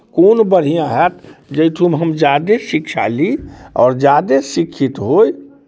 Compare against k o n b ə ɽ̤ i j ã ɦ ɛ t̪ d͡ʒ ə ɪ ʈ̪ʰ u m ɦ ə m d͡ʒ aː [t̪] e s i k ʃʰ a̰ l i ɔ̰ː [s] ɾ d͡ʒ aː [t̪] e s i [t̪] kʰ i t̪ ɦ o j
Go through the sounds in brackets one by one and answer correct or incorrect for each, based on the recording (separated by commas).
incorrect, incorrect, incorrect, incorrect